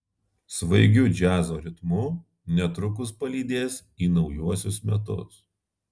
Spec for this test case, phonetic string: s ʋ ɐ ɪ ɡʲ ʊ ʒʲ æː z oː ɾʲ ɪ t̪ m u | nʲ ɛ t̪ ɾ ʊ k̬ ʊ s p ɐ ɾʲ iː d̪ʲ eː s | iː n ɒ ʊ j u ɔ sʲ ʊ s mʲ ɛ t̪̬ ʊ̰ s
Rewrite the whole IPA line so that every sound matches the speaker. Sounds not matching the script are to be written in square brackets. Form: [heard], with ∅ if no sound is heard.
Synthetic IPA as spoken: s ʋ ɐ ɪ ɡʲ ʊ [d͡ʒʲ] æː z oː ɾʲ ɪ t̪ m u | nʲ ɛ t̪ ɾ ʊ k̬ ʊ s p ɐ [lʲ] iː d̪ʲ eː s | iː n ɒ ʊ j u ɔ sʲ ʊ s mʲ ɛ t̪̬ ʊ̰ s

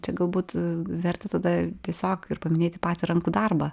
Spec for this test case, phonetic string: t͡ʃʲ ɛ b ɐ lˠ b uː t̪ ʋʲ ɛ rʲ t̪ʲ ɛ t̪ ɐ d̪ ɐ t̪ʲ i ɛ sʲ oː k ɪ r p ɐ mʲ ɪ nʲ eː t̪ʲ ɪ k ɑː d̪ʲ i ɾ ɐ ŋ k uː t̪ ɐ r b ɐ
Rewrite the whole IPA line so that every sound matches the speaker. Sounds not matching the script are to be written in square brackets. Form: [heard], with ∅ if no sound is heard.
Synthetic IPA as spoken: t͡ʃʲ ɛ [ɡ] ɐ lˠ b uː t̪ ʋʲ ɛ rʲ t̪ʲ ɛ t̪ ɐ d̪ ɐ t̪ʲ i ɛ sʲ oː k ɪ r p ɐ mʲ ɪ nʲ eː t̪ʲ ɪ [p] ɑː [t̪ʲ] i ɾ ɐ ŋ k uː [d̪] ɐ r b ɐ

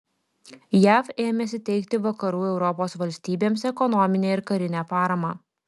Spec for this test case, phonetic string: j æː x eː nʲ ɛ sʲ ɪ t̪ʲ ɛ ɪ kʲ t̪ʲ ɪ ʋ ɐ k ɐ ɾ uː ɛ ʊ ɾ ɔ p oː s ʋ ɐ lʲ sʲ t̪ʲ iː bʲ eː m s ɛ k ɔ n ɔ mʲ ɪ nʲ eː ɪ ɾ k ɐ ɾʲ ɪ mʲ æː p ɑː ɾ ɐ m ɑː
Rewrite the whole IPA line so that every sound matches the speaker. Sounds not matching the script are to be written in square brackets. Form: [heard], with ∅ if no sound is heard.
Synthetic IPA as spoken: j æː [f] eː [mʲ] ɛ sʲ ɪ t̪ʲ ɛ ɪ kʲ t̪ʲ ɪ ʋ ɐ k ɐ ɾ uː ɛ ʊ ɾ ɔ p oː s ʋ ɐ lʲ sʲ t̪ʲ iː bʲ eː m s ɛ k ɔ n ɔ mʲ ɪ nʲ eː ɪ ɾ k ɐ ɾʲ ɪ [nʲ] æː p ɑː ɾ ɐ m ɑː

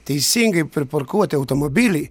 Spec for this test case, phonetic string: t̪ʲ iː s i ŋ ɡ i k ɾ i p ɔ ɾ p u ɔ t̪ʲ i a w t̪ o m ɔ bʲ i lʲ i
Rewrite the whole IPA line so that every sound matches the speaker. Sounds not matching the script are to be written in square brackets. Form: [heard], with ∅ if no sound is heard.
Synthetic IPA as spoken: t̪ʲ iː s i ŋ ɡ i [p] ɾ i p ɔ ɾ [k] u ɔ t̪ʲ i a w t̪ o m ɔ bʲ i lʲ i

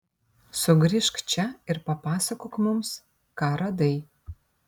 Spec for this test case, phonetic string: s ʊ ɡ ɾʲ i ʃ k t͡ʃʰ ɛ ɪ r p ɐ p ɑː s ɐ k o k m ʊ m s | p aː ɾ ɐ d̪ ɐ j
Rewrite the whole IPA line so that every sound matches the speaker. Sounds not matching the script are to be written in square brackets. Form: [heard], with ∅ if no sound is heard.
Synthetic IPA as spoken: s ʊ ɡ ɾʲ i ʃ k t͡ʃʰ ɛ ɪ r p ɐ p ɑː s ɐ k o k m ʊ m s | [k] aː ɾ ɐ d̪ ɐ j

